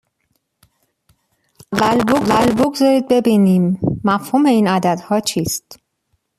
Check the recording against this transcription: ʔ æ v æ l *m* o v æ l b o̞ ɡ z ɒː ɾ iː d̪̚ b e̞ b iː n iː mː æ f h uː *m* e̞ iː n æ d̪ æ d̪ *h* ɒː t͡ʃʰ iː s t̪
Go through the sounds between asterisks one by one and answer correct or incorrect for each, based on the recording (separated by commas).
incorrect, correct, correct